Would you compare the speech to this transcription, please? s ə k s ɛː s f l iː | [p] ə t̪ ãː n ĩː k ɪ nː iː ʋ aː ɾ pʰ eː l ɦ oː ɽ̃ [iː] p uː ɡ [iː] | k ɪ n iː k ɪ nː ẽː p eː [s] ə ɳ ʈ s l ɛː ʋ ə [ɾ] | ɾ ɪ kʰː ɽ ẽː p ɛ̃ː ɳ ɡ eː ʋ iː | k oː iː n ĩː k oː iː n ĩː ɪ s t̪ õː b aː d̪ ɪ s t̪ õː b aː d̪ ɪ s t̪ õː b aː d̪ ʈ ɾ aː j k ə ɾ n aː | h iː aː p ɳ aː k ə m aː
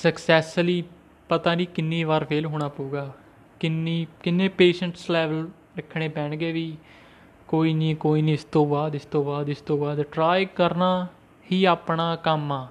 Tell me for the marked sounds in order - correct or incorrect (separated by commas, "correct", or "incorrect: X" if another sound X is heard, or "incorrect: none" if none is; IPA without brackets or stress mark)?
correct, incorrect: aː, incorrect: aː, incorrect: ʃ, incorrect: l